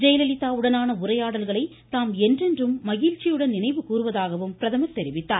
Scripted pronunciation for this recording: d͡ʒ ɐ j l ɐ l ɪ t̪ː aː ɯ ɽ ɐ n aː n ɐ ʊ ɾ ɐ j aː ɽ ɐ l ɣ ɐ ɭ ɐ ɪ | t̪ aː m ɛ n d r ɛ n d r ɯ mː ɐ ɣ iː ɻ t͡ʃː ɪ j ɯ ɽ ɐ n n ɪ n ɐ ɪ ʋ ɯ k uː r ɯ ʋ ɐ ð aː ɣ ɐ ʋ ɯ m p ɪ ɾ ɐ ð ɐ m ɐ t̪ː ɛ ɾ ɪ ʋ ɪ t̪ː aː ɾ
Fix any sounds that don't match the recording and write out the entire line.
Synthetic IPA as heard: d͡ʒ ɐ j l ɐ l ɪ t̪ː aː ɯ ɽ ɐ n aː n ɐ ʊ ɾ ɐ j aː ɽ ɐ l ɣ ɐ ɭ ɐ ɪ | t̪ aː m ɛ n d r ɛ n d r ɯ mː ɐ ɣ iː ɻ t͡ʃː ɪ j ɯ ɽ ɐ n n ɪ n ɐ ɪ ʋ ɯ k uː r ɯ ʋ ɐ ð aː ɣ ɐ ʋ ɯ m p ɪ ɾ ɐ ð ɐ m ɐ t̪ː ɛ ɾ ɪ ʋ ɪ t̪ː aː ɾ